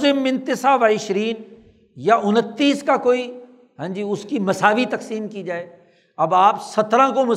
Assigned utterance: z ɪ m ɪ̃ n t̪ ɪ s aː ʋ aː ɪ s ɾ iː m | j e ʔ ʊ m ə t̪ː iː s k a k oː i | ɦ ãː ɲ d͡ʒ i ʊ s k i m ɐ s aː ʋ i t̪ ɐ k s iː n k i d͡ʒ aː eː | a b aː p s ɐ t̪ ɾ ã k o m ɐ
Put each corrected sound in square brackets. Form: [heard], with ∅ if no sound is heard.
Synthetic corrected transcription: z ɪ m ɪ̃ n t̪ ɪ s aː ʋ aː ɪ [ʃ] ɾ iː [n] | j [a] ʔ ʊ [n] ə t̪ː iː s k a k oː i | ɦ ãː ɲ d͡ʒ i ʊ s k i m ɐ s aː ʋ i t̪ ɐ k s iː [m] k i d͡ʒ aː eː | [ɐ] b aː p s ɐ t̪ ɾ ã k o m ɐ